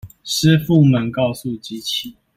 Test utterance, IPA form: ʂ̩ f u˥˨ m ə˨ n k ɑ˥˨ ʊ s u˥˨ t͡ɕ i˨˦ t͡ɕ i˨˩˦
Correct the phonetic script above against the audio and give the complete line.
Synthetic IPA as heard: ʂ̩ f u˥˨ m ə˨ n k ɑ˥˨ ʊ s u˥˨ t͡ɕ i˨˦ t͡ɕʰ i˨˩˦